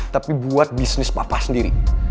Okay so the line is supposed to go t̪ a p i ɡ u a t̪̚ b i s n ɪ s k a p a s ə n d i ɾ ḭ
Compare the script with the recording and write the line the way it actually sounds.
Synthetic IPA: t̪ a p i b u a t̪̚ b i s n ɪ s p a p a s ə n d i ɾ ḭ